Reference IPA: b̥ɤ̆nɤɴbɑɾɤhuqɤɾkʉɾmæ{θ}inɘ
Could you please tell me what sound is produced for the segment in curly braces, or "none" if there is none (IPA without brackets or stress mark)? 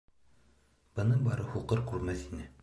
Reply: θ